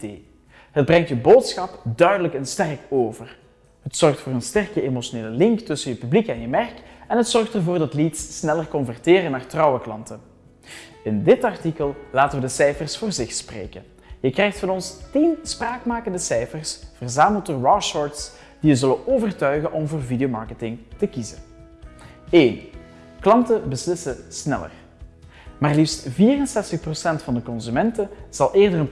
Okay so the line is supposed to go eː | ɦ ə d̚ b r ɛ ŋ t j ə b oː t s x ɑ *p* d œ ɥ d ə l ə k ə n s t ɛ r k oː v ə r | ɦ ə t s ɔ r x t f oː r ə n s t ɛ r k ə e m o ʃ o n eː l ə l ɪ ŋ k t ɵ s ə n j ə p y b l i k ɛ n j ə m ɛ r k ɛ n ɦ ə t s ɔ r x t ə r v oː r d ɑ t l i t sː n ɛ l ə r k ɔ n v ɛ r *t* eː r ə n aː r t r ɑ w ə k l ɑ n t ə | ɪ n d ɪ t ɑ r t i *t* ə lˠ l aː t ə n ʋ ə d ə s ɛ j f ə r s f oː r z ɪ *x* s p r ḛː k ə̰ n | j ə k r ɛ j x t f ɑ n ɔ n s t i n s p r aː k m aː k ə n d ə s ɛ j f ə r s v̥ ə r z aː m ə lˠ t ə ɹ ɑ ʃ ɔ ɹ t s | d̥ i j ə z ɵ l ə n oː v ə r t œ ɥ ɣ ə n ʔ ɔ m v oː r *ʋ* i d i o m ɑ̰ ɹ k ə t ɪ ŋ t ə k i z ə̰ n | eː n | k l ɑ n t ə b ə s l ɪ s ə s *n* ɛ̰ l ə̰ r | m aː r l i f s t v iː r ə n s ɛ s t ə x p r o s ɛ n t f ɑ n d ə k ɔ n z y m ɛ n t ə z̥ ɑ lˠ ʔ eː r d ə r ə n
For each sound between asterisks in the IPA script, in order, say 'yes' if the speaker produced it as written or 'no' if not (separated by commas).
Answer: yes, yes, no, yes, no, yes